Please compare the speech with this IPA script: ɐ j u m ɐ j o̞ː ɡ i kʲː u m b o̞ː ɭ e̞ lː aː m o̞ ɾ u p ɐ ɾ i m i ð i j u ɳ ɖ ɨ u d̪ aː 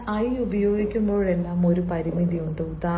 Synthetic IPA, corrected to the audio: ɐ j u b ɐ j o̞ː ɡ i kʲː u m b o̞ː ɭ e̞ lː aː m o̞ ɾ u p ɐ ɾ i m i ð i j u ɳ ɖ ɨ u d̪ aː